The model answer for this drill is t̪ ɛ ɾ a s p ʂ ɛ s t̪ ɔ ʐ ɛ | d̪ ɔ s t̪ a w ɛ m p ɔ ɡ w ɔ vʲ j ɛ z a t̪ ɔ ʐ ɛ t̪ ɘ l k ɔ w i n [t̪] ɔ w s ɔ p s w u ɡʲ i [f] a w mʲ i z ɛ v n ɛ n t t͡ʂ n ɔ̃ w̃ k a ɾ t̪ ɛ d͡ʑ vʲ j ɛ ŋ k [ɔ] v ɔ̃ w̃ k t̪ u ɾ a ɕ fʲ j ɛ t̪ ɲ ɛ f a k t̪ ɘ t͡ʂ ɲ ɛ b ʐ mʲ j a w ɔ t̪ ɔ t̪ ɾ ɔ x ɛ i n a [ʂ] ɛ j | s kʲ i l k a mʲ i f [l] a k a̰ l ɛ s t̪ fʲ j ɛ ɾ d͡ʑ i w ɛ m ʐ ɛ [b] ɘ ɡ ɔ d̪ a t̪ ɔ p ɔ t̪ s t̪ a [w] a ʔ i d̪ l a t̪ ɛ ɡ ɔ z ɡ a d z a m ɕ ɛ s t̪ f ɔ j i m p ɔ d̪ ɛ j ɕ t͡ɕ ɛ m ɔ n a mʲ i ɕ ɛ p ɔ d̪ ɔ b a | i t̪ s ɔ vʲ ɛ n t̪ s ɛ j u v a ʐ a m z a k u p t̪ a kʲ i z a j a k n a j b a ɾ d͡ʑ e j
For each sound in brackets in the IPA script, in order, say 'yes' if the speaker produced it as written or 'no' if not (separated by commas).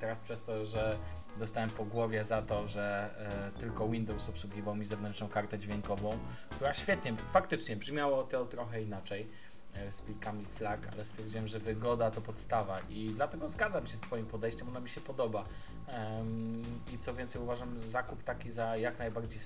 no, no, yes, no, yes, no, no